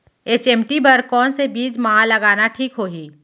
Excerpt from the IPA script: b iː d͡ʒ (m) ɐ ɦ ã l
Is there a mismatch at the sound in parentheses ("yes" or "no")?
no